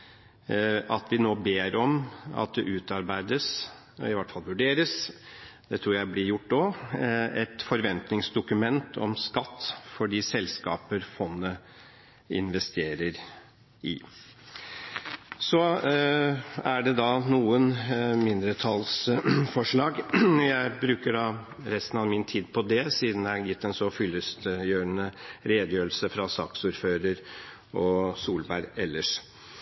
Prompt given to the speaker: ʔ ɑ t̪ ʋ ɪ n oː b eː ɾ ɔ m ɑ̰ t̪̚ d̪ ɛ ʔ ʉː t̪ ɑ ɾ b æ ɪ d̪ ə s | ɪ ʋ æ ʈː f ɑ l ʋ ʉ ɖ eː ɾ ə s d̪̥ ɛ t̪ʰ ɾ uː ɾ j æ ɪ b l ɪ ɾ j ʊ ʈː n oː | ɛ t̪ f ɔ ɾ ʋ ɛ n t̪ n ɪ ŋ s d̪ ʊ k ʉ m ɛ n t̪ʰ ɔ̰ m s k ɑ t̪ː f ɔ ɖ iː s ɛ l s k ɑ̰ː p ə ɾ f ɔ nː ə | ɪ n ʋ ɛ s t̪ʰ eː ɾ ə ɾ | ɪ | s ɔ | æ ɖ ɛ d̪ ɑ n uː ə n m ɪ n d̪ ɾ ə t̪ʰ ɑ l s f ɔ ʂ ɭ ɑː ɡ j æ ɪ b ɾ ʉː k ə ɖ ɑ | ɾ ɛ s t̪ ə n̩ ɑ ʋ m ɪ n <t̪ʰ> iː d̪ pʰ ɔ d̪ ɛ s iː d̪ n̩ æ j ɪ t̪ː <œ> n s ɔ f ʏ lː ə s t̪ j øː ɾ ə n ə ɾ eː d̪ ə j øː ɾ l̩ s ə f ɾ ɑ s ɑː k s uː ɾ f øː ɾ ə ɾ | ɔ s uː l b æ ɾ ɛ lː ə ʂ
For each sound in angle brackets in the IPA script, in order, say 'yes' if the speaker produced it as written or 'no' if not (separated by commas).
yes, no